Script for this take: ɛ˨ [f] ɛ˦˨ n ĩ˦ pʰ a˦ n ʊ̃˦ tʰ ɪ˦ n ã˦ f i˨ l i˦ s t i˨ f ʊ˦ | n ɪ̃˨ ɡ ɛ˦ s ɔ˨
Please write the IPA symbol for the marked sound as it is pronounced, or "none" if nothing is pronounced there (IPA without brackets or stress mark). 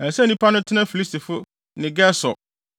s